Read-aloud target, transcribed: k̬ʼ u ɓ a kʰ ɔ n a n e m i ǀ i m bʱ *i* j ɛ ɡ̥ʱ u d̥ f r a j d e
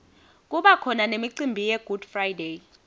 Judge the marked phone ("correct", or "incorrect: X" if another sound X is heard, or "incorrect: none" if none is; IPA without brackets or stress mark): correct